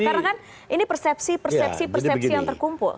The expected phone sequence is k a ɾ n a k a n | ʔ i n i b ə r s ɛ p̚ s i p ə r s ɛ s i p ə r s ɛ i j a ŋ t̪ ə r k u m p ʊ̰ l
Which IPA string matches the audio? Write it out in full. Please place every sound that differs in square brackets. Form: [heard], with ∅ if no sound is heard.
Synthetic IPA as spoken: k a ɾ n a k a n | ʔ i n i [p] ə r s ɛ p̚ s i p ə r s ɛ s i p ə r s ɛ i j a ŋ t̪ ə r k u m p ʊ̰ l